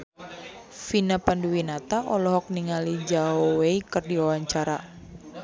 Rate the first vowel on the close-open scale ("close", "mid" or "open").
close